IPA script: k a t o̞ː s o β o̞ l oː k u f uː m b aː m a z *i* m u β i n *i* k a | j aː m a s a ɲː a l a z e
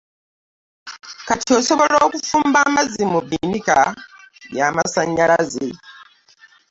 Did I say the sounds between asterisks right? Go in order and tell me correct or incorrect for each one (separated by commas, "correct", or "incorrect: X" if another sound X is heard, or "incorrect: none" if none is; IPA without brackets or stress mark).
correct, correct